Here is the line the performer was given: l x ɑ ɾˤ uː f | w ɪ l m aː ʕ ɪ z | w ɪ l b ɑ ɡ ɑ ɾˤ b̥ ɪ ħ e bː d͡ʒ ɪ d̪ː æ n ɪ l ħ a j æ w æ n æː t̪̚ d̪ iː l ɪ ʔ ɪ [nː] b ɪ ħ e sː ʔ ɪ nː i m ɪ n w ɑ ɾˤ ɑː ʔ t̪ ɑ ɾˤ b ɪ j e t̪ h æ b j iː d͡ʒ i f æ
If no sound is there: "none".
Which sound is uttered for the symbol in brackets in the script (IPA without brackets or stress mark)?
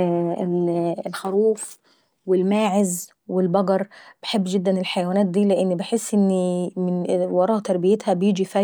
nː